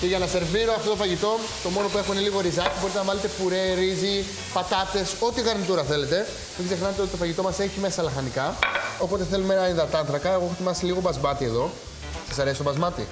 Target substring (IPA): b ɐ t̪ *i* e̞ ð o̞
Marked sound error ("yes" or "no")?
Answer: no